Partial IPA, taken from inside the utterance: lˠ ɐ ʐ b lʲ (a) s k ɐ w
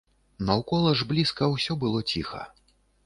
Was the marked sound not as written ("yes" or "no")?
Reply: yes